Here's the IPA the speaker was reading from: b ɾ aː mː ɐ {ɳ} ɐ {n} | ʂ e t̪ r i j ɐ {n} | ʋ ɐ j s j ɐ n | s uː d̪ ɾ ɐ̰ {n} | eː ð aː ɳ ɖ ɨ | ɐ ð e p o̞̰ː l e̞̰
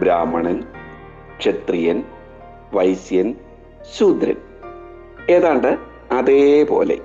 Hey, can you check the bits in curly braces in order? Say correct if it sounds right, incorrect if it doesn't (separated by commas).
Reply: correct, correct, correct, correct